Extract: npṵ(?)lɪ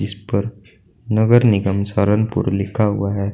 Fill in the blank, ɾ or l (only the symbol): ɾ